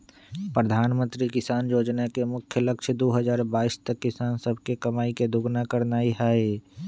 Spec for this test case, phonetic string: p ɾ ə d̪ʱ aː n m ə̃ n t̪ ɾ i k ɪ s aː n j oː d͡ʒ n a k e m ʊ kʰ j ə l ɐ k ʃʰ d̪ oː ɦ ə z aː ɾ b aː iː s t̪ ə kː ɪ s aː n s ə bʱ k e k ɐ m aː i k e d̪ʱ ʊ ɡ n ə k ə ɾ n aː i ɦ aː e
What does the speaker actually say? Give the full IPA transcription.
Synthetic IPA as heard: p ɾ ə d̪ʱ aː n m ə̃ n t̪ ɾ i k ɪ s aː n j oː d͡ʒ n a k e m ʊ kʰ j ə l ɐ k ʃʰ d̪ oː ɦ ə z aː ɾ b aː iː s t̪ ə kː ɪ s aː n s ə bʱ k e k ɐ m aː i k e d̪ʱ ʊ ɡ n a k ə ɾ n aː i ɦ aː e